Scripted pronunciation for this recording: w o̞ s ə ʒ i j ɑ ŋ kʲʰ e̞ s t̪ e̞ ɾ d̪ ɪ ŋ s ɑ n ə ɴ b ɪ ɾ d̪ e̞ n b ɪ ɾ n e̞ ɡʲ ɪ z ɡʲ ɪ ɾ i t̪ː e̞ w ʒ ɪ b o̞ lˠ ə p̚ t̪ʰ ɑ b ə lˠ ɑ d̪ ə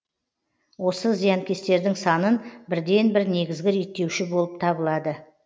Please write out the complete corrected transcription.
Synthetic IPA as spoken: w o̞ s ə z i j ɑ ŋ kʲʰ e̞ s t̪ e̞ ɾ d̪ ɪ ŋ s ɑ n ə n b ɪ ɾ d̪ e̞ n b ɪ ɾ n e̞ ɡʲ ɪ z ɡʲ ɪ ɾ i t̪ː e̞ w ʃ ɪ b o̞ lˠ ə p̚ t̪ʰ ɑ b ə lˠ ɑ d̪ ə